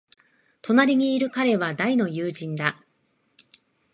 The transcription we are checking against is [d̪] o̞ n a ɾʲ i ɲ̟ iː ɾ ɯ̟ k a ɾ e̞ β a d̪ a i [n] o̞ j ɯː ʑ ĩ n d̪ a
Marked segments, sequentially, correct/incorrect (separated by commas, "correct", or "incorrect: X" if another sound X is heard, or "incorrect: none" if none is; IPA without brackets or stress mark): incorrect: t̪, correct